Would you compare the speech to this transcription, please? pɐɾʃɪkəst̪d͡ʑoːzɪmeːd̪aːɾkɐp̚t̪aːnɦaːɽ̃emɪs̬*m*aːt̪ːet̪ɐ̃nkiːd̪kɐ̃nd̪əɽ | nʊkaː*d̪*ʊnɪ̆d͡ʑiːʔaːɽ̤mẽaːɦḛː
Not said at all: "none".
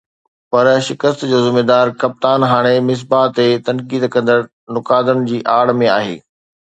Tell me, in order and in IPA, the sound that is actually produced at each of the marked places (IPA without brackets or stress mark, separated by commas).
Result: b, d̪